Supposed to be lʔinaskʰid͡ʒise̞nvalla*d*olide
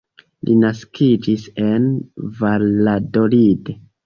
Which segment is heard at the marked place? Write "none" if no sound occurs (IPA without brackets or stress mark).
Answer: d